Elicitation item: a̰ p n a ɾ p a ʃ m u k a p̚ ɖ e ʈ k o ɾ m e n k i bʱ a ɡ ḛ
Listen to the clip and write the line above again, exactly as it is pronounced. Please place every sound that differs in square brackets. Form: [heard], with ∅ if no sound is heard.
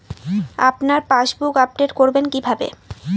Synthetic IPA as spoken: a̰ p n a ɾ p a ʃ [b] u k a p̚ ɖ e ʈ k o ɾ [b] e n k i bʱ a [b] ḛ